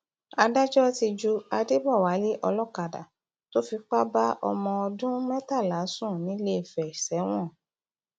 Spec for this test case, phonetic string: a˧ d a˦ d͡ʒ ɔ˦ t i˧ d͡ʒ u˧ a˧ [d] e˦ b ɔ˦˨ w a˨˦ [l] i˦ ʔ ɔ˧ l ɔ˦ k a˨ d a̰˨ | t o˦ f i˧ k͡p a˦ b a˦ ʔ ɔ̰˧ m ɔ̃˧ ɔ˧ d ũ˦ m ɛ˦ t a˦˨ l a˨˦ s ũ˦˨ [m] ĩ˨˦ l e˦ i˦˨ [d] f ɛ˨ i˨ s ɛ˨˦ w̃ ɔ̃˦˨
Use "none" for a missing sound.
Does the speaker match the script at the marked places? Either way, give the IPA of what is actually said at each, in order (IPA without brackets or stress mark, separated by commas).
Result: d, l, n, none